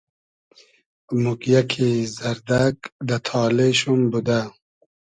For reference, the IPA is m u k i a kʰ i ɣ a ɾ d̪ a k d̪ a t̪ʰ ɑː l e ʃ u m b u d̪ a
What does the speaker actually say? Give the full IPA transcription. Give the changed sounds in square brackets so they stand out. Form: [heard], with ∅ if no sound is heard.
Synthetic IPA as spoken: m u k [j] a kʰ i [z] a ɾ d̪ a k d̪ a t̪ʰ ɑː l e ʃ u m b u d̪ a